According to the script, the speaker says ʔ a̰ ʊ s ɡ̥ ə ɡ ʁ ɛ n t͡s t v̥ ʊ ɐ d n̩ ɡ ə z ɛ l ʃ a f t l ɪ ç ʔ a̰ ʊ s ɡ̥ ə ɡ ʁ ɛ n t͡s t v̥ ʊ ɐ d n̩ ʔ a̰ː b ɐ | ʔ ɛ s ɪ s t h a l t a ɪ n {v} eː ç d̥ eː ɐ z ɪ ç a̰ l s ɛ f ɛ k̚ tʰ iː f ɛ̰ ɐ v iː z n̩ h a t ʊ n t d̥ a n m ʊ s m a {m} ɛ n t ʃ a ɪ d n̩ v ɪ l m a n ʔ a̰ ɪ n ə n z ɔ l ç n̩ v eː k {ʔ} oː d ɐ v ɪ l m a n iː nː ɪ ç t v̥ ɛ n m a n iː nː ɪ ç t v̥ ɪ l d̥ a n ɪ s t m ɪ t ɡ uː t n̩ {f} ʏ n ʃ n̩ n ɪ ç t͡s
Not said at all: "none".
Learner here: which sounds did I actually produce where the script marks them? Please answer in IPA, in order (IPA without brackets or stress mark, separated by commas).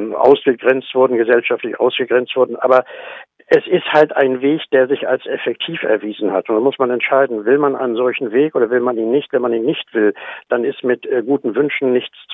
v, n, ʔ, v